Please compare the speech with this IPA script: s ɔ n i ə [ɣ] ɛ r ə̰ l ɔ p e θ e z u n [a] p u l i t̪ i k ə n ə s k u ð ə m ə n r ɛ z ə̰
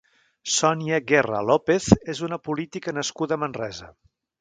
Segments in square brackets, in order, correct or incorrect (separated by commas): correct, incorrect